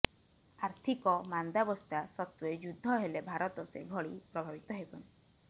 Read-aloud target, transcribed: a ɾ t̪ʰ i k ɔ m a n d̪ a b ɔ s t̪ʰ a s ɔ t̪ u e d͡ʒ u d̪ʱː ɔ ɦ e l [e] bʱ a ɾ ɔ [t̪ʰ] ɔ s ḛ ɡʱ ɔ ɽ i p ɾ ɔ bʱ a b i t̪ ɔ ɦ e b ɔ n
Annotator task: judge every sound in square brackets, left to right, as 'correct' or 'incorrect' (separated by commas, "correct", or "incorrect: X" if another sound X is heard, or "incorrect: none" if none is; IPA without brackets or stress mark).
correct, incorrect: t̪